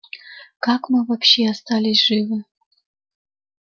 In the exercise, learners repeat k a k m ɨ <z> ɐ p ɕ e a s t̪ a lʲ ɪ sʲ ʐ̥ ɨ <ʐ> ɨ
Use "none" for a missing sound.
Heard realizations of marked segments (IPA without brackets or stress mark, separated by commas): v, v